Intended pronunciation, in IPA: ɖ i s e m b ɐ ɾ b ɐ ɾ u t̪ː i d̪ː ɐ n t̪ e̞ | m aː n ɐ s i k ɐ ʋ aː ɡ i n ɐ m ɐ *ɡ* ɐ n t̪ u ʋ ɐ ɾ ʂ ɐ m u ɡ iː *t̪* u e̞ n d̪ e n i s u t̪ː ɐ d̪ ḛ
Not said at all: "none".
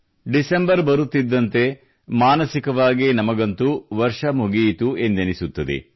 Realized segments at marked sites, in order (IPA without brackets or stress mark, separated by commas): ɡ, t̪